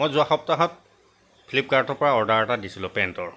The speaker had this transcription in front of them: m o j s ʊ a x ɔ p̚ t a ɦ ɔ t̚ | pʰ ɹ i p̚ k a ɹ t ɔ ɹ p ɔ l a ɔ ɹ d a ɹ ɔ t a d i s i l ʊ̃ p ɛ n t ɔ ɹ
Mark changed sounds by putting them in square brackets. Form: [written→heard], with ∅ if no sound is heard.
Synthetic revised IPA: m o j [s→z] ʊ a x ɔ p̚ t a ɦ ɔ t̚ | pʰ [ɹ→l] i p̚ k a ɹ t ɔ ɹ p ɔ [l→ɹ] a ɔ ɹ d a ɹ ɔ t a d i s i l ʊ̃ p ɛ n t ɔ ɹ